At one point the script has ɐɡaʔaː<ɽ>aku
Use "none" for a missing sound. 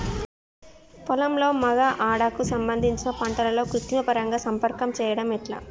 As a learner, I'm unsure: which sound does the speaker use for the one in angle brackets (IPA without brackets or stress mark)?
ɽ